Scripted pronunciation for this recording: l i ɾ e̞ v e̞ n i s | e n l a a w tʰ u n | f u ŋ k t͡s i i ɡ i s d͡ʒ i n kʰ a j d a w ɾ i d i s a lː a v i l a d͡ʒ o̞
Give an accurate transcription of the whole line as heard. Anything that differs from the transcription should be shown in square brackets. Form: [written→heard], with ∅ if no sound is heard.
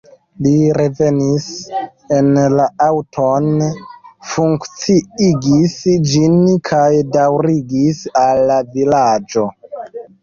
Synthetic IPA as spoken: l i ɾ e̞ v e̞ n i s | e n l a a w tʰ [u→o] n | f u ŋ k t͡s i i ɡ i s d͡ʒ i n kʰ a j d a w ɾ i [d→ɡ] i s a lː a v i l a d͡ʒ o̞